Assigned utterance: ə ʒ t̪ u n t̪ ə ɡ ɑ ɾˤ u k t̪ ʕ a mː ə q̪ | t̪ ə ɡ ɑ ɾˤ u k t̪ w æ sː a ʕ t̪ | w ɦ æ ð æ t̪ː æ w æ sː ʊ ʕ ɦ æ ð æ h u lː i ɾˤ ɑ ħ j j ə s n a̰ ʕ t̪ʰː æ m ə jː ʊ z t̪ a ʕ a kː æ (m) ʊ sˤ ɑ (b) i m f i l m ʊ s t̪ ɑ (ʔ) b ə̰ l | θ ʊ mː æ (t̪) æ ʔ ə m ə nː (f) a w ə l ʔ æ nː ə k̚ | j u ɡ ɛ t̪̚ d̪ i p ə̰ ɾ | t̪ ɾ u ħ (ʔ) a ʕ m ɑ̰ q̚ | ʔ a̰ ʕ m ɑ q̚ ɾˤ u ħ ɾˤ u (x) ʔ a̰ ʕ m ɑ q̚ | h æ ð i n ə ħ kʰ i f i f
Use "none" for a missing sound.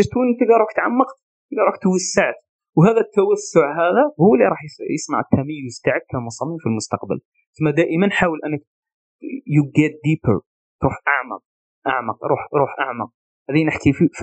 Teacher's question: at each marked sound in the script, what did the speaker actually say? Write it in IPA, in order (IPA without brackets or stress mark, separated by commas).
m, m, q, d̪, ħ, ʔ, ħ